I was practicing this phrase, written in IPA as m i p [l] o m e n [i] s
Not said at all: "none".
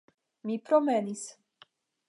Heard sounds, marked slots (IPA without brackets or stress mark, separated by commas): ɾ, i